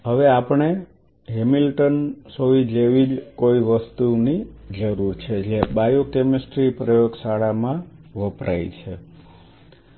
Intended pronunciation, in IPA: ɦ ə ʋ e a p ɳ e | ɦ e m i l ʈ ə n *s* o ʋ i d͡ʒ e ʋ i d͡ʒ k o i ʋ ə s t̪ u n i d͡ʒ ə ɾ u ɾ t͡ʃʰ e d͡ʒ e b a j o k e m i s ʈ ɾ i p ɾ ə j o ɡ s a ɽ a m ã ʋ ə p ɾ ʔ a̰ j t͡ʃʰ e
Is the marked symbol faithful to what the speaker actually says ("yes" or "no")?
yes